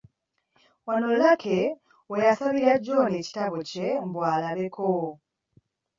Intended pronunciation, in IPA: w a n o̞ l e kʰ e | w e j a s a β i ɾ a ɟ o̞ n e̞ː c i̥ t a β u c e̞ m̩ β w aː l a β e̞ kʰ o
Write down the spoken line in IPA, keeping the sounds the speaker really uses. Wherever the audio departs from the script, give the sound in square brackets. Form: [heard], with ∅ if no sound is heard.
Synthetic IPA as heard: w a n o̞ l [a] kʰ e | w e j a s a β i ɾ a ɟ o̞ n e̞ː c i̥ t a β [o] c e̞ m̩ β w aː l a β e̞ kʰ o